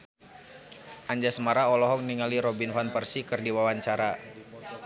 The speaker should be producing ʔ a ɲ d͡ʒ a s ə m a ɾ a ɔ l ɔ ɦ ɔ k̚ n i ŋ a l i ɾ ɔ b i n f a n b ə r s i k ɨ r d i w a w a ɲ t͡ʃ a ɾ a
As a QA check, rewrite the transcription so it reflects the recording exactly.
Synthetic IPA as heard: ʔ a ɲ d͡ʒ a s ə m a ɾ a ɔ l ɔ ɦ ɔ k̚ n i ŋ a l i ɾ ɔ b i n f a n p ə r s i k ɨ r d i w a w a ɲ t͡ʃ a ɾ a